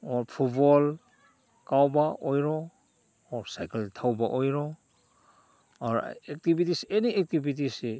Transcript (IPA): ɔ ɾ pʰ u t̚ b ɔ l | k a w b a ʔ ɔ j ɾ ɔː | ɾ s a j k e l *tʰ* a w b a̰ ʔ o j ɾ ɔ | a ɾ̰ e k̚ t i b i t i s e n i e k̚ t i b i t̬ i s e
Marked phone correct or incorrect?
correct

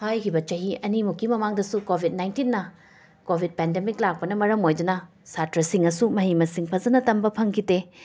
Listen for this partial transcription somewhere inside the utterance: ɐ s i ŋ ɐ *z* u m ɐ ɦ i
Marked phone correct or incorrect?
incorrect: s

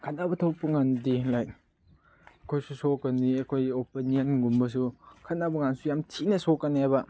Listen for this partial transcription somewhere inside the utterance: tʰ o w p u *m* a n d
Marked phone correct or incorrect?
incorrect: ŋ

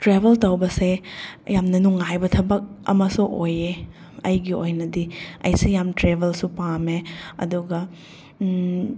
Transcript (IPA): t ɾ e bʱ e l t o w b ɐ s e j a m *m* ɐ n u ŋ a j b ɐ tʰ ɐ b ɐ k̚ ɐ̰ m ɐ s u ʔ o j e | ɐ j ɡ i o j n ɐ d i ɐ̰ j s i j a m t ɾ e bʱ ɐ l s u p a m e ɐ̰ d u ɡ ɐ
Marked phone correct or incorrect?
incorrect: n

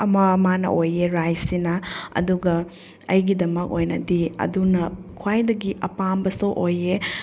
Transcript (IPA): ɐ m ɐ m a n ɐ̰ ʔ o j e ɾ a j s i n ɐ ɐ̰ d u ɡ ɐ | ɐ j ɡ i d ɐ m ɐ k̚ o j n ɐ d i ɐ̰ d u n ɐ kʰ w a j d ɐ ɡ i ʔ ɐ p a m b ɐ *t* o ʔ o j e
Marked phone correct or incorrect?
incorrect: s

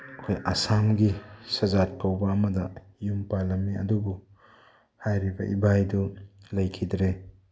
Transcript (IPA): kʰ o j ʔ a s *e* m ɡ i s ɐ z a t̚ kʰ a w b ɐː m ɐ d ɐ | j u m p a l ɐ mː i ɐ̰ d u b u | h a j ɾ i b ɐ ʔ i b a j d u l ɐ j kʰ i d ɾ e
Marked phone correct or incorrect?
incorrect: a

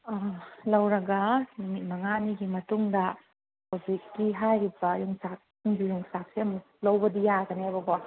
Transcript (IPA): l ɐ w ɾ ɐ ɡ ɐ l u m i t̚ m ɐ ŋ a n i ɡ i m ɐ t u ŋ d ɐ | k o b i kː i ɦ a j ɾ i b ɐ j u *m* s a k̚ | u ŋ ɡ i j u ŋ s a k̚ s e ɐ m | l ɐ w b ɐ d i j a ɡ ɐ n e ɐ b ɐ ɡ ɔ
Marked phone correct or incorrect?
incorrect: ŋ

